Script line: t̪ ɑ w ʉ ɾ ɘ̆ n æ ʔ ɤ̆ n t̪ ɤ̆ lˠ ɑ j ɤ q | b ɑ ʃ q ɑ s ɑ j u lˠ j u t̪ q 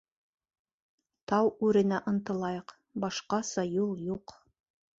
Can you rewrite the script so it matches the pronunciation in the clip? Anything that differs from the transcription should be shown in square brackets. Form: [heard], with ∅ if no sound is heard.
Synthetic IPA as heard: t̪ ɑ w ʉ ɾ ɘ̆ n æ ʔ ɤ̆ n t̪ ɤ̆ lˠ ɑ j ɤ q | b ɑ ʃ q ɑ s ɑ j u lˠ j u [∅] q